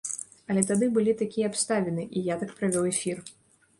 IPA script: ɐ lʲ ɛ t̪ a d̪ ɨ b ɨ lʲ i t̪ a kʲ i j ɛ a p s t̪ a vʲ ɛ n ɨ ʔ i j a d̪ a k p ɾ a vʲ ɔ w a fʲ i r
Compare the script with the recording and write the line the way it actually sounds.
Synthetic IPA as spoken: ɐ lʲ ɛ t̪ a d̪ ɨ b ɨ lʲ i t̪ a kʲ i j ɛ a p s t̪ a vʲ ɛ n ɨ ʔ i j a t̪ a k p ɾ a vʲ ɔ w ɛ fʲ i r